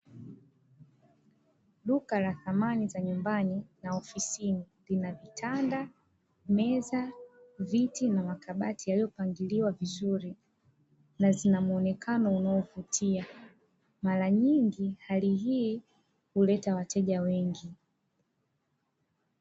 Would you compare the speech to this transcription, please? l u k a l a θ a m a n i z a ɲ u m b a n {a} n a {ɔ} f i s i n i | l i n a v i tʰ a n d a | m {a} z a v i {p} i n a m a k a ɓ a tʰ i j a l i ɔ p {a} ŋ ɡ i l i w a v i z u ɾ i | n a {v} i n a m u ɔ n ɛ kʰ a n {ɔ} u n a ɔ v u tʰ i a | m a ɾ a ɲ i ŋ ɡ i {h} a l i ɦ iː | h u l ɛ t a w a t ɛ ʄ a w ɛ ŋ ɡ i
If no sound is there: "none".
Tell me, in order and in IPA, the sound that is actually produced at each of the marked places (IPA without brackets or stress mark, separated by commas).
i, ɔ, ɛ, t, a, z, ɔ, h